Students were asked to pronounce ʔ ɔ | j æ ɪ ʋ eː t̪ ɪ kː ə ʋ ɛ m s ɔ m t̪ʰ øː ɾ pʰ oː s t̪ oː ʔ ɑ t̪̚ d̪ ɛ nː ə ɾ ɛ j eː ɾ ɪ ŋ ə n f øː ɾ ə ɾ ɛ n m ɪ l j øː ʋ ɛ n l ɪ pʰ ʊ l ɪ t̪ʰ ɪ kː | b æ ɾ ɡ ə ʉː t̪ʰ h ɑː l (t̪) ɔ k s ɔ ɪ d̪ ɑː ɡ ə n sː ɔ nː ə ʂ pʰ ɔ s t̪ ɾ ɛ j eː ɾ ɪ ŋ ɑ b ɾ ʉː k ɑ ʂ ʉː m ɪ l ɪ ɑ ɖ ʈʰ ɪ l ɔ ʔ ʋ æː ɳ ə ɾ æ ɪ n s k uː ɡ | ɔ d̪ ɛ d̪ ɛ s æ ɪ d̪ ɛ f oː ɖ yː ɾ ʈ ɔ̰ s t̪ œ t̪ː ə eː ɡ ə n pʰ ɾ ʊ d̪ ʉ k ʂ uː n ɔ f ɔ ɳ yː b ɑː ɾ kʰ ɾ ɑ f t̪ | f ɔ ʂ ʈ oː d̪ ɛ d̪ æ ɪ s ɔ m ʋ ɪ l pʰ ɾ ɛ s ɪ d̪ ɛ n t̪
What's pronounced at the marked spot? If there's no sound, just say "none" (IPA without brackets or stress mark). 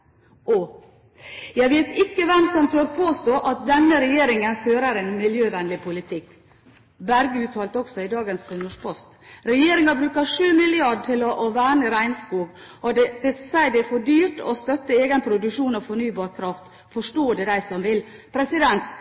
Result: t̪